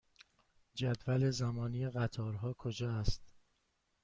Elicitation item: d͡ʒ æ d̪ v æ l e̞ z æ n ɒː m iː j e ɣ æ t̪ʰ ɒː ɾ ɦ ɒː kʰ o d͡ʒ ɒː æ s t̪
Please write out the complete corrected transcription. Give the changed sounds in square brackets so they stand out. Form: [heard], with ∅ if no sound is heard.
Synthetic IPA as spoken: d͡ʒ æ d̪ v æ l e̞ z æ [m] ɒː [n] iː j e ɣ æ t̪ʰ ɒː ɾ ɦ ɒː kʰ o d͡ʒ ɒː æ s t̪